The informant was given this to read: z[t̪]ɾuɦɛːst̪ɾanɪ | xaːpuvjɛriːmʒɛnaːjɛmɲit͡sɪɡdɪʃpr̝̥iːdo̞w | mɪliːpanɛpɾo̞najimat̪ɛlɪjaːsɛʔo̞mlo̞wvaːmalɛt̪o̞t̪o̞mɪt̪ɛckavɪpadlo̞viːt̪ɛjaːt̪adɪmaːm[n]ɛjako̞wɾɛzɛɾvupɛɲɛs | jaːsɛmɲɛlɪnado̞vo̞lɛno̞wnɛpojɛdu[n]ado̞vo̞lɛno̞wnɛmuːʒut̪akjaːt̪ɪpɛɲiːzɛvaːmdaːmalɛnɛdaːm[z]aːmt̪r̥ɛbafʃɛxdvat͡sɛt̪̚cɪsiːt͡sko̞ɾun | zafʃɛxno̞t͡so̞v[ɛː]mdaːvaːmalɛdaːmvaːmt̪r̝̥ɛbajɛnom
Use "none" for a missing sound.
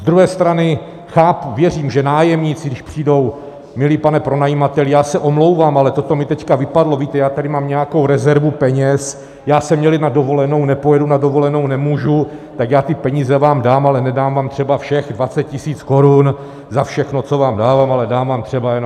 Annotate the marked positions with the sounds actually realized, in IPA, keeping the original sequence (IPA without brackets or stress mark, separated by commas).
d̪, ɲ, n, v, aː